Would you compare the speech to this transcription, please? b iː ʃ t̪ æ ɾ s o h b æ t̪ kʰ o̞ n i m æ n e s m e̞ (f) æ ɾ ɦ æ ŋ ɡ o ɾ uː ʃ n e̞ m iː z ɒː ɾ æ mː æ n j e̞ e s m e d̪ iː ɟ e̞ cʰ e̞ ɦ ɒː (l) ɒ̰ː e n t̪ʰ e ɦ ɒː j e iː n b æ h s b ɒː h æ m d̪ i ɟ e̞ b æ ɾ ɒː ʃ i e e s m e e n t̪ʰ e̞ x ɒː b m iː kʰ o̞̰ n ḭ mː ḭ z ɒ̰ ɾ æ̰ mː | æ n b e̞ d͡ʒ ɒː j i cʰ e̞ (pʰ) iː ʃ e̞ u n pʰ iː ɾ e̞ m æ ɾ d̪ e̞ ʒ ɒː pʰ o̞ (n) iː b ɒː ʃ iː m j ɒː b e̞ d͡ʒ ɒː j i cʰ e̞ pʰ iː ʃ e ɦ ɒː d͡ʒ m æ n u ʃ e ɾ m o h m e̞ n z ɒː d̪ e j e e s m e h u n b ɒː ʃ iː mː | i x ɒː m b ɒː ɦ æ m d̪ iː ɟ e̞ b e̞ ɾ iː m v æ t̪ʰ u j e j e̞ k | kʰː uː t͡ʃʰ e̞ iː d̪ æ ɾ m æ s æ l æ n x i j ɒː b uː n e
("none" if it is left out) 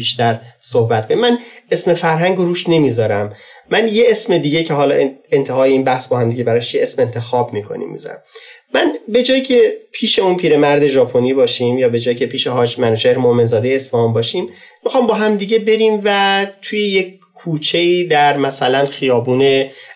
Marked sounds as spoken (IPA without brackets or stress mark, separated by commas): f, l, pʰ, n